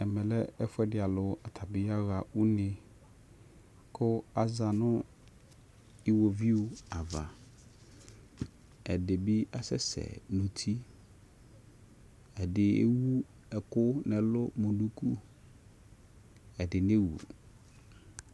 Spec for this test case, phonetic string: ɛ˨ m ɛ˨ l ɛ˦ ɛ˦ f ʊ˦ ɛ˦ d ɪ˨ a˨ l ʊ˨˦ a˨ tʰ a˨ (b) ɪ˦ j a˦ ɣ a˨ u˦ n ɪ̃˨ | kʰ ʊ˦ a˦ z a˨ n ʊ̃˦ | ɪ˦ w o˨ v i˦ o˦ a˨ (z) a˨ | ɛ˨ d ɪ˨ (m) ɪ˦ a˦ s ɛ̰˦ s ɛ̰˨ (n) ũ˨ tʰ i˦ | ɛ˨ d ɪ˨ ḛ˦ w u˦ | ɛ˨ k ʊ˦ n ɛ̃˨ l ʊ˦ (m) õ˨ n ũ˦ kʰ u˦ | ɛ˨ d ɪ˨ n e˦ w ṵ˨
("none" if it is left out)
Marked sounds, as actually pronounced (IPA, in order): b, v, b, n, m

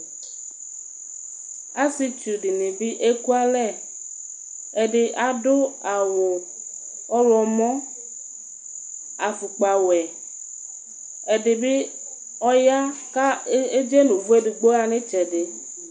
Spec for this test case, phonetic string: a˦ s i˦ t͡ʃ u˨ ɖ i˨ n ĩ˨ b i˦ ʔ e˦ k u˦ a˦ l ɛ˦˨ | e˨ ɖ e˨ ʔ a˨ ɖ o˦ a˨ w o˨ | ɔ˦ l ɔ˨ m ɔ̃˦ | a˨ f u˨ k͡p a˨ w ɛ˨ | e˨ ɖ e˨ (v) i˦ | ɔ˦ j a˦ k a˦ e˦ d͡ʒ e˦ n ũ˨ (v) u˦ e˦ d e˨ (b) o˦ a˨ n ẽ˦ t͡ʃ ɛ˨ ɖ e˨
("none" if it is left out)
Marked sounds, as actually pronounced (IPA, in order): b, v, ɡ͡b

